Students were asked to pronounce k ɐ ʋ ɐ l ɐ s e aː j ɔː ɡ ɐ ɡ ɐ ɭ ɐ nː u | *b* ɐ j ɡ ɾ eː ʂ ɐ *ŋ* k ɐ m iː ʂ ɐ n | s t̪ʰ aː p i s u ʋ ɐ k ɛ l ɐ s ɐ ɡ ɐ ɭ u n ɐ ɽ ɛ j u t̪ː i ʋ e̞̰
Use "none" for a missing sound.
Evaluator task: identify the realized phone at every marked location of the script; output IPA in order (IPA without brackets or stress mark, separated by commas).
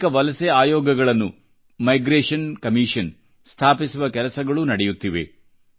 m, n